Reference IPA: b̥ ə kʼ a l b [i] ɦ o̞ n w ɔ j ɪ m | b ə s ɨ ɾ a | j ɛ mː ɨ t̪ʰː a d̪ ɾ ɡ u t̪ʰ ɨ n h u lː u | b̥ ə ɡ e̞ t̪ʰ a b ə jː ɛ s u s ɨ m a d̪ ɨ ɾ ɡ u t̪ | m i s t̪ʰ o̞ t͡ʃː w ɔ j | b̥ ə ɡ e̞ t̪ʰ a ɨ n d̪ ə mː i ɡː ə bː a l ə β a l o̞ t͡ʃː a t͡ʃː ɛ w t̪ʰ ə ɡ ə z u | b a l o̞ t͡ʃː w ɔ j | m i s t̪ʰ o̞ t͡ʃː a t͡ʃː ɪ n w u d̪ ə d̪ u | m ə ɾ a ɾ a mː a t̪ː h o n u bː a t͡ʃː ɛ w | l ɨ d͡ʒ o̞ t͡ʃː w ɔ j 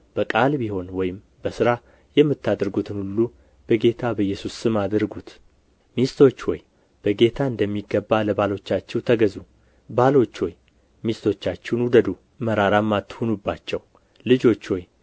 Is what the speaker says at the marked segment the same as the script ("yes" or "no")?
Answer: yes